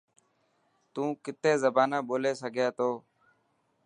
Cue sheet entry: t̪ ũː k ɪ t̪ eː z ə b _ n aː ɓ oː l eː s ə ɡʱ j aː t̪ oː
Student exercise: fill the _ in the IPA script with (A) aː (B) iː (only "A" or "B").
A